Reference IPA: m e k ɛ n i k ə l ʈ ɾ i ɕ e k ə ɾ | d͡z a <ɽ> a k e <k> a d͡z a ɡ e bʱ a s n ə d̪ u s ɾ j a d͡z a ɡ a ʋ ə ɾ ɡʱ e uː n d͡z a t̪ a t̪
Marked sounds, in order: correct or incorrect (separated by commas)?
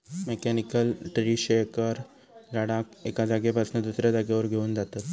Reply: correct, correct